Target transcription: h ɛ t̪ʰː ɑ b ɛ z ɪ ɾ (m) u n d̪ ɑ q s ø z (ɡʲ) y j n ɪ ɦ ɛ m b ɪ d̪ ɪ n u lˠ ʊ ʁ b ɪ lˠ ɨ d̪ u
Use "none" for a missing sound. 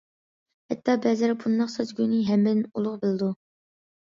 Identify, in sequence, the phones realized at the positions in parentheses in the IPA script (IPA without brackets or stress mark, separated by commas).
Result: b, ɡʲ